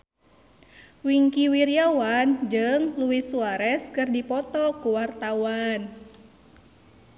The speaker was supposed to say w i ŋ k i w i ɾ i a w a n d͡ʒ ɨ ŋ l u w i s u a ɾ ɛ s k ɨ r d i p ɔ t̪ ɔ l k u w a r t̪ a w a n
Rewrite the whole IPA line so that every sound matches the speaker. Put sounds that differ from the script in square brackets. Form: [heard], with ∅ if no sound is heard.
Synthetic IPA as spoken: w i ŋ k i w i ɾ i a w a n d͡ʒ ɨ ŋ l u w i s u a ɾ ɛ s k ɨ r d i p ɔ t̪ ɔ [∅] k u w a r t̪ a w a n

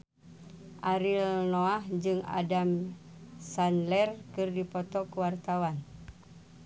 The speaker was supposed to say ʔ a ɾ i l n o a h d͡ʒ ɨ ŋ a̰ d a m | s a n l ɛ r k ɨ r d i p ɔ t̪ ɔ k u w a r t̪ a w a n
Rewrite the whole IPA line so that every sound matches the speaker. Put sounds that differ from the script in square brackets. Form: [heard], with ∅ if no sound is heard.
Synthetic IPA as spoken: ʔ a ɾ i l n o a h d͡ʒ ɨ ŋ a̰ d a m | s a n l ɛ r k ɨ r d i p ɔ t̪ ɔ k u w a r t̪ a w a n

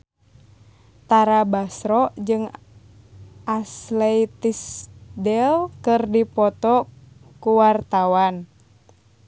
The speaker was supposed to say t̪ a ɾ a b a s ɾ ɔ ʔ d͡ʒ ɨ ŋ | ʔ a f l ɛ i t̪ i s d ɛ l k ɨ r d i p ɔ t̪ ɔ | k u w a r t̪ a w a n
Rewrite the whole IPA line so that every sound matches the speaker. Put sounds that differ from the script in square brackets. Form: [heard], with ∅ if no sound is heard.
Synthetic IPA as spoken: t̪ a ɾ a b a s ɾ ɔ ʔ d͡ʒ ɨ ŋ | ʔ a [s] l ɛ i t̪ i s d ɛ l k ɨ r d i p ɔ t̪ ɔ | k u w a r t̪ a w a n

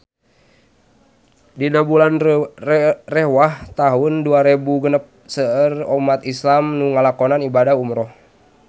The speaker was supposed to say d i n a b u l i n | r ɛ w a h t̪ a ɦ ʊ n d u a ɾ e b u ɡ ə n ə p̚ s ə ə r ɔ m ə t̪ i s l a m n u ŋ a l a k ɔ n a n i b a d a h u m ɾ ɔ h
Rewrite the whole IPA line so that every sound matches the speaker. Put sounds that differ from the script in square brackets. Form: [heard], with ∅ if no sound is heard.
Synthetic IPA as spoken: d i n a b u l [a] n | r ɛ w a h t̪ a ɦ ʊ n d u a ɾ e b u ɡ ə n ə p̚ s ə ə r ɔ m [a] t̪ i s l a m n u ŋ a l a k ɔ n a n i b a d a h u m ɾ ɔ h

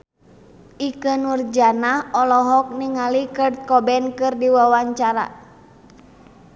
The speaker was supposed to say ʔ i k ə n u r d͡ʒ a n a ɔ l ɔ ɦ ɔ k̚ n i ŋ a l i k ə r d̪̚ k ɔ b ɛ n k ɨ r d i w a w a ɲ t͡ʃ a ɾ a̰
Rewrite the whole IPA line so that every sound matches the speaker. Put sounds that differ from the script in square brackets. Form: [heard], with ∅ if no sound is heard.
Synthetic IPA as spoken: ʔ i k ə n u r d͡ʒ a n a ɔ l ɔ ɦ ɔ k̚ n i ŋ a l i k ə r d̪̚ k ɔ b ɛ n k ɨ r d i w a w a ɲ t͡ʃ a ɾ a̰

